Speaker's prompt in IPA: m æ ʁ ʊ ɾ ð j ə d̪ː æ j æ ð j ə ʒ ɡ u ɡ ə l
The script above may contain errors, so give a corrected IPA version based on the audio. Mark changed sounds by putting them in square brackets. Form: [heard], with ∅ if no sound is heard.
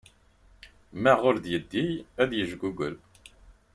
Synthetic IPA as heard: m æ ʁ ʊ ɾ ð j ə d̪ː [i] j æ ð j ə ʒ ɡ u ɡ ə l